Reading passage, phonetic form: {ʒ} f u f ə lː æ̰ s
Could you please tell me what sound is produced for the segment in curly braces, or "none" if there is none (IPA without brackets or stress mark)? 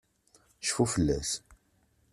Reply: ʃ